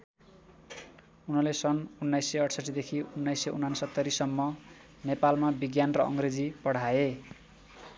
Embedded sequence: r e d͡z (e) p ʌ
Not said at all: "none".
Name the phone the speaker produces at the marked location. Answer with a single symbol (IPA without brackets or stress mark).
i